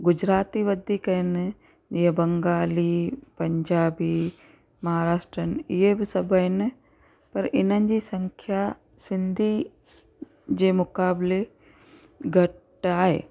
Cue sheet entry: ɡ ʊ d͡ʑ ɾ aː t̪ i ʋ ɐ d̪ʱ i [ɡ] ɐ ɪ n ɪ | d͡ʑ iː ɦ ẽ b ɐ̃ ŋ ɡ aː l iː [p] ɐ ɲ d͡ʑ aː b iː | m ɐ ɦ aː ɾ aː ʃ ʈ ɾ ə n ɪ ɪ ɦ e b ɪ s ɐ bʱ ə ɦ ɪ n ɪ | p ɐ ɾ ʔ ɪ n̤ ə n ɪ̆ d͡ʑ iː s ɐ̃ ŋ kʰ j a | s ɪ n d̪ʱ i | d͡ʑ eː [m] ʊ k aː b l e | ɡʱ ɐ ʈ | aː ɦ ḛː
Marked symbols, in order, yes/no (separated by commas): no, yes, yes